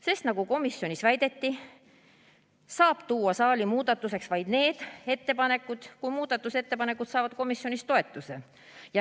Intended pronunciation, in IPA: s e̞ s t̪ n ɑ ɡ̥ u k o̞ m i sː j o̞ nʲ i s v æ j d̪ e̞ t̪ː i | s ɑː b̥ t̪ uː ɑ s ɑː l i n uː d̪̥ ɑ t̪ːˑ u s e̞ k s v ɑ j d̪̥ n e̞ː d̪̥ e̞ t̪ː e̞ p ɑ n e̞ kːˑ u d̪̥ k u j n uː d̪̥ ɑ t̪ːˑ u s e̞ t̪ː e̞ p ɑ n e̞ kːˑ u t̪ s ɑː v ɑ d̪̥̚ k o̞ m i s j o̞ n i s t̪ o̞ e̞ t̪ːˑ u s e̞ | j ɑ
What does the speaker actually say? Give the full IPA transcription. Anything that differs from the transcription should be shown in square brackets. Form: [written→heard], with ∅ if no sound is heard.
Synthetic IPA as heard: s e̞ s t̪ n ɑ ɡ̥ u k o̞ m i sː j o̞ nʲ i s v æ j d̪ e̞ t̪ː i | s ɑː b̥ t̪ uː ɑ s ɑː l i [n→m] uː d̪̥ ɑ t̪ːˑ u s e̞ k s v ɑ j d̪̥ n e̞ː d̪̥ e̞ t̪ː e̞ p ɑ n e̞ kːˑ u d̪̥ k u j [n→m] uː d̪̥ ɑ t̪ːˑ u s e̞ t̪ː e̞ p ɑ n e̞ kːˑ u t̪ s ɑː v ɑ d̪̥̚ k o̞ m i s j o̞ n i s t̪ o̞ e̞ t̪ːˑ u s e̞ | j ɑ